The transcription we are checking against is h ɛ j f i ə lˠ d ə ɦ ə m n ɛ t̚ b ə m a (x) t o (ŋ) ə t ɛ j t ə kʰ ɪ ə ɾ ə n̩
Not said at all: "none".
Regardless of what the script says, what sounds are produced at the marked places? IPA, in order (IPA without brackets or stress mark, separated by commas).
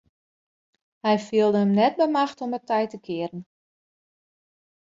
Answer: x, m